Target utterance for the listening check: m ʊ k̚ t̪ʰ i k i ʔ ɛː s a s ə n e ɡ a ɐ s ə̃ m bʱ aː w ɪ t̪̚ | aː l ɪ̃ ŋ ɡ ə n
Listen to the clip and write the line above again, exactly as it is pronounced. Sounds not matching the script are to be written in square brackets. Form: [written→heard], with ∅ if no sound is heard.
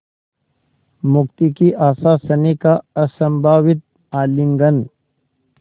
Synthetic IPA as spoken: m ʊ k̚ [t̪ʰ→t̪] i k i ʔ [ɛː→aː] s a s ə n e [ɡ→k] a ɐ s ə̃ m bʱ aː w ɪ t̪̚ | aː l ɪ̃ ŋ ɡ ə n